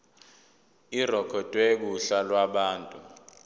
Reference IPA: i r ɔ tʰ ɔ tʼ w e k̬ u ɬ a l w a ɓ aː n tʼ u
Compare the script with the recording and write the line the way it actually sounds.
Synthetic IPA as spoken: i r ɔ kʰ ɔ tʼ w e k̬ u ɬ a l w a ɓ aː n tʼ u